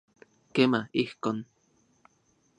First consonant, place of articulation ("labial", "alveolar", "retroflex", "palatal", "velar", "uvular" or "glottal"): velar